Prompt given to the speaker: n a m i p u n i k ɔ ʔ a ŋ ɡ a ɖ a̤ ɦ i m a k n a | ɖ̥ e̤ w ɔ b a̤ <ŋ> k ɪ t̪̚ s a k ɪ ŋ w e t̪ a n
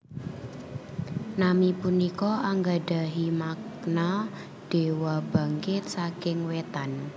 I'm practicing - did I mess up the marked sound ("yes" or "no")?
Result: no